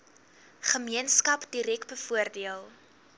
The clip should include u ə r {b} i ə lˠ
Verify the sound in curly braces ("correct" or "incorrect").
incorrect